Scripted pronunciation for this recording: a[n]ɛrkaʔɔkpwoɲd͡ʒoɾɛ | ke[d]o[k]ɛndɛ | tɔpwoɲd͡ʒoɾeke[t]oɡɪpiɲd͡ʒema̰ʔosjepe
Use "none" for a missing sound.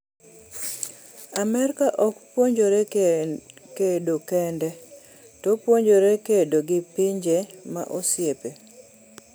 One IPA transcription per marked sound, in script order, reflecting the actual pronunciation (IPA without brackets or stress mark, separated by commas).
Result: m, d, k, d